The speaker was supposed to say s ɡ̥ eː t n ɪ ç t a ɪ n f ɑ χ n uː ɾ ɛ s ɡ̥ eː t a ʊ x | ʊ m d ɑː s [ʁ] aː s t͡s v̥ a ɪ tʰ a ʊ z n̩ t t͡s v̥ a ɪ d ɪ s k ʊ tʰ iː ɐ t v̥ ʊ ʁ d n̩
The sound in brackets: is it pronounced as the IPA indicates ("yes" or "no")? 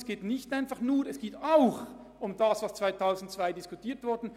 no